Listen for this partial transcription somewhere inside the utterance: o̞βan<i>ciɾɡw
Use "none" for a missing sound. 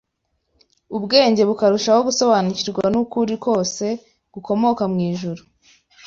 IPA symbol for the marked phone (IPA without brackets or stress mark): i